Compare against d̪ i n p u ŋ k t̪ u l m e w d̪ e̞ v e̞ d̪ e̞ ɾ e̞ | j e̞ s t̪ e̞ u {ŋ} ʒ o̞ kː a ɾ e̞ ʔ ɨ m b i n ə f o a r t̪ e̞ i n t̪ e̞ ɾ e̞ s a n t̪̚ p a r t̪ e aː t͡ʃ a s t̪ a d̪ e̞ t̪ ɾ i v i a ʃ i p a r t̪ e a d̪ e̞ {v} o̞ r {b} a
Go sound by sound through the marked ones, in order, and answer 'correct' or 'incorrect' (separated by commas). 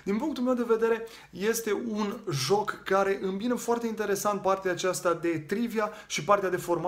incorrect, incorrect, incorrect